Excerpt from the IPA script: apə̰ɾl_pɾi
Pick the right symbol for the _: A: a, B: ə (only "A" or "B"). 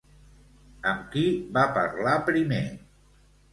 A